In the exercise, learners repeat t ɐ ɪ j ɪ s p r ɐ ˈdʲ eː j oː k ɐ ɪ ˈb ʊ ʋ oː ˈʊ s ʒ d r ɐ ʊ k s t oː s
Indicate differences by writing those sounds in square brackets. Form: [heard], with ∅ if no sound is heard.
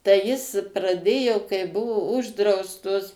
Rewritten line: t ɐ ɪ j ɪ s p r ɐ ˈdʲ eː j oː k ɐ ɪ ˈb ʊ ʋ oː ˈʊ [∅] ʒ d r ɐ ʊ [∅] s t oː s